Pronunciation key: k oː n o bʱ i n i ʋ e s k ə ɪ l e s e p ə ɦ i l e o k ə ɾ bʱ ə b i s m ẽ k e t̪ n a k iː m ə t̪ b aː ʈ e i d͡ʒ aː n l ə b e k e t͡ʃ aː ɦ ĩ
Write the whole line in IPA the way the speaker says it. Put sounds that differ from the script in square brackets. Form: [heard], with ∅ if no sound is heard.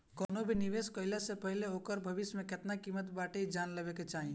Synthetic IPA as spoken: k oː n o bʱ i n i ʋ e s k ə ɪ l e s e p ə ɦ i l e o k ə ɾ bʱ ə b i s m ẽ k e t̪ n a k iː m ə t̪ b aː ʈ e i d͡ʒ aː n l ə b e k e t͡ʃ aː ɦ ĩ